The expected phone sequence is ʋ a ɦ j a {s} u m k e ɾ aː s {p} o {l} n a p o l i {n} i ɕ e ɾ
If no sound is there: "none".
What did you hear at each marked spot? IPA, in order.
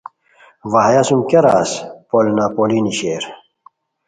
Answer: s, p, l, n

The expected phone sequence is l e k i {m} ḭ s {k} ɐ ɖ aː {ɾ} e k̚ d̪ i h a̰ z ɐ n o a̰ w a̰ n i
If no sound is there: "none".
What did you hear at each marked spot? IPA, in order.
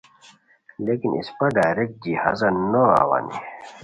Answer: n, p, ɾ

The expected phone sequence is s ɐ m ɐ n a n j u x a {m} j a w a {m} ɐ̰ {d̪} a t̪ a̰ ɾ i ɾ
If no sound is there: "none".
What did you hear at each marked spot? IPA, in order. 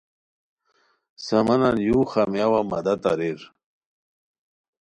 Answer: m, m, d̪

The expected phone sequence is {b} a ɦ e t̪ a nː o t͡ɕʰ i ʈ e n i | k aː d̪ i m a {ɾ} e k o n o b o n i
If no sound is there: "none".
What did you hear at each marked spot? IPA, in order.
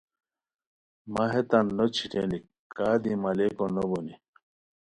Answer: m, l

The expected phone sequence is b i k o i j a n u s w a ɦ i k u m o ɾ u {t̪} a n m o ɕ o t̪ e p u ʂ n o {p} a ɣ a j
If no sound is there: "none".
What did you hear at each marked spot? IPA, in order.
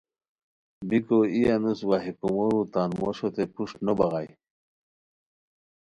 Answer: t̪, b

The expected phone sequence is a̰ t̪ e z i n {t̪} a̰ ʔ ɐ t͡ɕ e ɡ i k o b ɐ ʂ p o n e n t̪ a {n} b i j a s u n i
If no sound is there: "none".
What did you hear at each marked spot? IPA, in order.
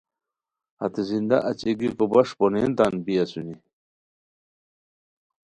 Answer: d̪, n

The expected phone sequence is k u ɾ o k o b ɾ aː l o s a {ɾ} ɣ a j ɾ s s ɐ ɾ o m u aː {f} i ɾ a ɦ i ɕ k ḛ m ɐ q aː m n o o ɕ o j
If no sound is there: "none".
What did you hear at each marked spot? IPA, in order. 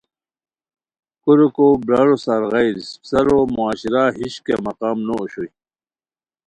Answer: ɾ, ɕ

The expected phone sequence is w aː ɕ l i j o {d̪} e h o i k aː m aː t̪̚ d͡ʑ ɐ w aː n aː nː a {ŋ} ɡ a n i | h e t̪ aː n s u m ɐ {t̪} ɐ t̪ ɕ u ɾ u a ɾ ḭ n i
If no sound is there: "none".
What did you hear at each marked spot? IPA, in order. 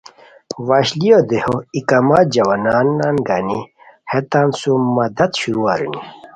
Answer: d̪, n, d̪

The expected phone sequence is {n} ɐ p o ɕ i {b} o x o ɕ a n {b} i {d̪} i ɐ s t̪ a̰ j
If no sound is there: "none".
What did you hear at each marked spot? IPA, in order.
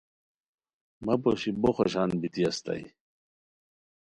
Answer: m, b, b, t̪

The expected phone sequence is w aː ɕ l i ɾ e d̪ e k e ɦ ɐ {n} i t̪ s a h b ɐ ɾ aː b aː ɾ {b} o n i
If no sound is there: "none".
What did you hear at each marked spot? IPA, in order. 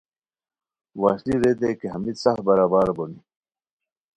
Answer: m, b

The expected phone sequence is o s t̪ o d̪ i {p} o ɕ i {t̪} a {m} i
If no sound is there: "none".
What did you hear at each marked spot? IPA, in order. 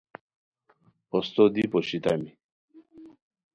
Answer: p, t̪, m

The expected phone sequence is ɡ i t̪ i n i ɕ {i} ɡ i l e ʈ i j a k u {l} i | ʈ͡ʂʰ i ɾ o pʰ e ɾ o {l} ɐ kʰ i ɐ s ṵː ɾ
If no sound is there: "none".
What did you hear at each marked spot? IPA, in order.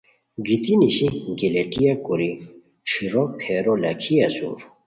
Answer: i, ɾ, l

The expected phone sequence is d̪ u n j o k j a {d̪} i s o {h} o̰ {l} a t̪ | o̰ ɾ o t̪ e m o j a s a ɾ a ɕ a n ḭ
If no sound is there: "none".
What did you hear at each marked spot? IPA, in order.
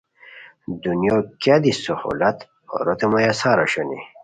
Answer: d̪, h, l

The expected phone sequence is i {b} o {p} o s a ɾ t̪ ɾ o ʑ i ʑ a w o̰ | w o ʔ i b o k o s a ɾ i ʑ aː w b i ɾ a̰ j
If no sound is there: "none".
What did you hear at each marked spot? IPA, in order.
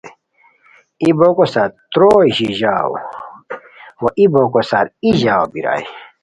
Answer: b, k

